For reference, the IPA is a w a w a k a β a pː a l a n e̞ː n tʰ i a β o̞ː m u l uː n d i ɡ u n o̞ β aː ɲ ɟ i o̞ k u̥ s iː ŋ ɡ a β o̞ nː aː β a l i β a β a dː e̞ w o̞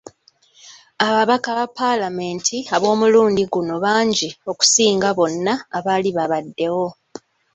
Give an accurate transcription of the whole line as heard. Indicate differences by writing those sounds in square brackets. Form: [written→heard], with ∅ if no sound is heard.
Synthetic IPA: a [w→β] a [w→β] a k a β a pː a l a [n→m] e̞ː n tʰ i a β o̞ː m u l uː n d i ɡ u n o̞ β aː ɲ ɟ i o̞ k u̥ s iː ŋ ɡ a β o̞ nː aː β a l i β a β a dː e̞ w o̞